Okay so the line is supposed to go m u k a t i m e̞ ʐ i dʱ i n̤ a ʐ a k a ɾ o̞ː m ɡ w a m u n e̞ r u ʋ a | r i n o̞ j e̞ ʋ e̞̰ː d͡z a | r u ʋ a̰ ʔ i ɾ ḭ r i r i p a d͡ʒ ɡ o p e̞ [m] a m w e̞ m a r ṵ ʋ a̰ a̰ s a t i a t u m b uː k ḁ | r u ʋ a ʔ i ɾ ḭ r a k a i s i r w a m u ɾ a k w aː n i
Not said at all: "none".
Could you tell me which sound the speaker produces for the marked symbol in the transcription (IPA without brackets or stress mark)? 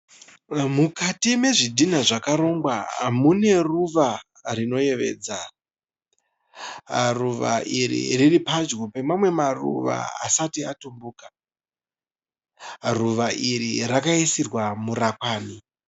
m